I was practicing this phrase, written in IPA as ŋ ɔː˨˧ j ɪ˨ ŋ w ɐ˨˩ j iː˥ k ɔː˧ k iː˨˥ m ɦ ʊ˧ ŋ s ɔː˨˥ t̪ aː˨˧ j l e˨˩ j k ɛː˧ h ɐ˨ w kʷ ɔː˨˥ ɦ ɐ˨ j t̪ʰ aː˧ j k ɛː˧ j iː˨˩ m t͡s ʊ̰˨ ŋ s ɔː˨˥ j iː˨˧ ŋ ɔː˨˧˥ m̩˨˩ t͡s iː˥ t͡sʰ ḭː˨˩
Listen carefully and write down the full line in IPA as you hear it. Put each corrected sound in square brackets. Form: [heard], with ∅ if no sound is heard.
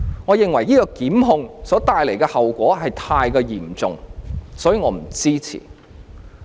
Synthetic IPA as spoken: ŋ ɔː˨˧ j ɪ˨ ŋ w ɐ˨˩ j iː˥ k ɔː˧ k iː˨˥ m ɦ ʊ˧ ŋ s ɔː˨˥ t̪ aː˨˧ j l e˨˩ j k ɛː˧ h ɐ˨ w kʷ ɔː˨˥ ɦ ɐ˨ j t̪ʰ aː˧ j k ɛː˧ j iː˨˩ m t͡s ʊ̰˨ ŋ s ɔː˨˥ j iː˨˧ ŋ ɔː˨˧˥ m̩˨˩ t͡s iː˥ t͡sʰ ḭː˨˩